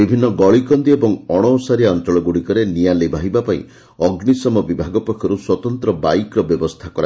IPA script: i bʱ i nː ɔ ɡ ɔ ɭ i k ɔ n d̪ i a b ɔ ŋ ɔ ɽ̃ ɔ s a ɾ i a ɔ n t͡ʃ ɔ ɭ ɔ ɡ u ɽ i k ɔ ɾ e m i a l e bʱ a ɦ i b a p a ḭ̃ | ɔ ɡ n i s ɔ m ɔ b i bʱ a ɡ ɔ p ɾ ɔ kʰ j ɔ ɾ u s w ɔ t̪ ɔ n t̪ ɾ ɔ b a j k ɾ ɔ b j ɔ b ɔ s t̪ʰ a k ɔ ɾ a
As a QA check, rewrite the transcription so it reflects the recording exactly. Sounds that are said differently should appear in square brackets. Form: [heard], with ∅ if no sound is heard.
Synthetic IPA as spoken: i bʱ i nː ɔ ɡ ɔ ɭ i k ɔ n d̪ i [e] b ɔ ŋ ɔ ɽ̃ ɔ s a ɾ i a ɔ n t͡ʃ ɔ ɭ ɔ ɡ u ɽ i k ɔ ɾ e [n] i a l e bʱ a ɦ i b a p a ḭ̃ | ɔ ɡ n i s ɔ m ɔ b i bʱ a ɡ ɔ p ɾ ɔ kʰ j ɔ ɾ u s w ɔ t̪ ɔ n t̪ ɾ ɔ b a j k ɾ ɔ b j ɔ b ɔ s t̪ʰ a k ɔ ɾ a